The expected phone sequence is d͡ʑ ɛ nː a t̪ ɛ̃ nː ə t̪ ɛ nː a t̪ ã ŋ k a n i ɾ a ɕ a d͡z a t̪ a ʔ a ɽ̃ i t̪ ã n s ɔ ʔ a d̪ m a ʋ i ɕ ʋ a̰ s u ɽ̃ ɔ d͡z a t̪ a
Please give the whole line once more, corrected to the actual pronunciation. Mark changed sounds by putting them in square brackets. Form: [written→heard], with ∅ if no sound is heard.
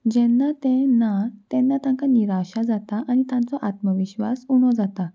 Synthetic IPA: d͡ʑ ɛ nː a t̪ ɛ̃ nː [ə→a] t̪ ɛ nː a t̪ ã ŋ k a n i ɾ a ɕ a d͡z a t̪ a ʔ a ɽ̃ i t̪ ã n [s→t͡s] ɔ ʔ a [d̪→t̪] m [a→ə] ʋ i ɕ ʋ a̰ s u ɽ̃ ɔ d͡z a t̪ a